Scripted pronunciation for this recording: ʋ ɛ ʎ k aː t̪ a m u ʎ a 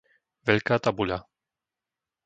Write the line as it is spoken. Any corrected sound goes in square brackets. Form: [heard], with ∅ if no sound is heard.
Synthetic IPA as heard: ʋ ɛ ʎ k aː t̪ a [b] u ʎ a